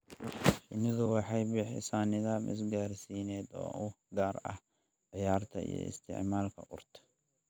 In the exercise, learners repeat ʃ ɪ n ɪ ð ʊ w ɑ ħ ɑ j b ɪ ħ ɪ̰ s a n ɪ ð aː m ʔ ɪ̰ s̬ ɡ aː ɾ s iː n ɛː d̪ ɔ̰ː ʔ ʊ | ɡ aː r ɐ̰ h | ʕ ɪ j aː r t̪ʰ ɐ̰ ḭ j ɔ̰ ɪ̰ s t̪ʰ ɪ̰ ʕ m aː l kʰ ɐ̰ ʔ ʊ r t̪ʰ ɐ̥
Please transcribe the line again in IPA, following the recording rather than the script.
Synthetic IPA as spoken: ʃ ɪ n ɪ ð ʊ w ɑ ħ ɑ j b ɪ ħ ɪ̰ s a n ɪ ð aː m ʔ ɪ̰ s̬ ɡ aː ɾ s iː n ɛː d̪ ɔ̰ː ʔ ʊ | ɡ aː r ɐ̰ h | ʕ ɪ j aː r t̪ʰ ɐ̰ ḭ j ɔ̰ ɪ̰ s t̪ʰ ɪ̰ ʕ m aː l kʰ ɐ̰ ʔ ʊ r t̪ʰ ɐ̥